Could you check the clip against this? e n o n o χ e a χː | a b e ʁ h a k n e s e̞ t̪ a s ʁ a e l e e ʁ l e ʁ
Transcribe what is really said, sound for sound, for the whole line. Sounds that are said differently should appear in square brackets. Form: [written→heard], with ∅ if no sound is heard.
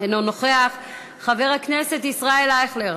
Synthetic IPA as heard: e n o n o χ e a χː | a [b→v] e ʁ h a k n e s e̞ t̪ [a→i] s ʁ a e l [e→a] e [ʁ→χ] l e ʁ